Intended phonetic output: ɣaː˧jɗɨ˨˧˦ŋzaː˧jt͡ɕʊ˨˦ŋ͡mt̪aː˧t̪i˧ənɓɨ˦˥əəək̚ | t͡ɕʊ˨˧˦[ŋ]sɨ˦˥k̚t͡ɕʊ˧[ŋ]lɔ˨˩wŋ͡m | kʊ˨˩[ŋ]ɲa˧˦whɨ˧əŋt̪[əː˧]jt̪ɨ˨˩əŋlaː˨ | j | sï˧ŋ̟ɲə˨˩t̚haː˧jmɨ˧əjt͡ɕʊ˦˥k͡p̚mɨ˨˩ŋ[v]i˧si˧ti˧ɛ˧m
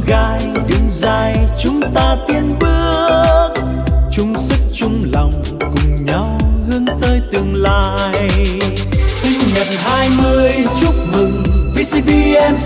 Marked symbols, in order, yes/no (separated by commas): no, no, no, yes, yes